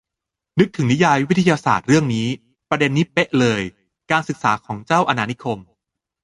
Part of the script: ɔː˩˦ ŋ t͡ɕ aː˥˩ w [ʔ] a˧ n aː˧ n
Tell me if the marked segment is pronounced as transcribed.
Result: yes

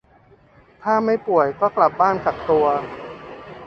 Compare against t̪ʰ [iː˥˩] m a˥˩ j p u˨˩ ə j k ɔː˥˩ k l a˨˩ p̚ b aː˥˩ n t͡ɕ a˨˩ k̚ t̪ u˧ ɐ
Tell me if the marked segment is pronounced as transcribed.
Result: no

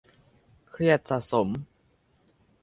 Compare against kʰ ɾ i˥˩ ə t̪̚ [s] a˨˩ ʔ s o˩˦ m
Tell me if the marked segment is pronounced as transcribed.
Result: yes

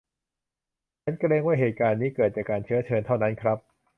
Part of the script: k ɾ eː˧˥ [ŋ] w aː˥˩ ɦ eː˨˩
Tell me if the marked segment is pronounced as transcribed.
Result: yes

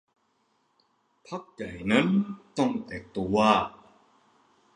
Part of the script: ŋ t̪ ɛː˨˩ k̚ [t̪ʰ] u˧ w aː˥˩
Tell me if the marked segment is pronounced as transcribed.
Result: no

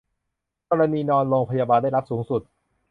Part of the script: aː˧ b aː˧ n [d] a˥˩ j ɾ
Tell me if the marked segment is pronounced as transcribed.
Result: yes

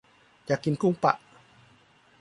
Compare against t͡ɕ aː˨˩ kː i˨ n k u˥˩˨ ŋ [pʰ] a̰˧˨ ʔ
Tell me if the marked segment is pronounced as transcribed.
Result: no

